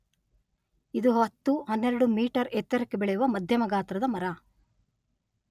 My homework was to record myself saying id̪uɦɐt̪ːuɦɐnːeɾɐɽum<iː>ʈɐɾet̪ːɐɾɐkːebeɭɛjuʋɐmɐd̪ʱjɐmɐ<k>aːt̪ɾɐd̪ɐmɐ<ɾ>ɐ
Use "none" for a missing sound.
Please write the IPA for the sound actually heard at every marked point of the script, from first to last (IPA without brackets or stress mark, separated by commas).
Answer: iː, ɡ, ɾ